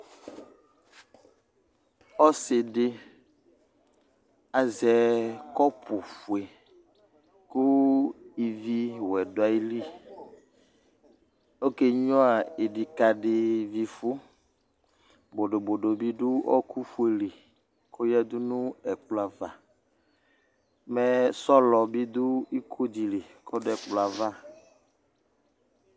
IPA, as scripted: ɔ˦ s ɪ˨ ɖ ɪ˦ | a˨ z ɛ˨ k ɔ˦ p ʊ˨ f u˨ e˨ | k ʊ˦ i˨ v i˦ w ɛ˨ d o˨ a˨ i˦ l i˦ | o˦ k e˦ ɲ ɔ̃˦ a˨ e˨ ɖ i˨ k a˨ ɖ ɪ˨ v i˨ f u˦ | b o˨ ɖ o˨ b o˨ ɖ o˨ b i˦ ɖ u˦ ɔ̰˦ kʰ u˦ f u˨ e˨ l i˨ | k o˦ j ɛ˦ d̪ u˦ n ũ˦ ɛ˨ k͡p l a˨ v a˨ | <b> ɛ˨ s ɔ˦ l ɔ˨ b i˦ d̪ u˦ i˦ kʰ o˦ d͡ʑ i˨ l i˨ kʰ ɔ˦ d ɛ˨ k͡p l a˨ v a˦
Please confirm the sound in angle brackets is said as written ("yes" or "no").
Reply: no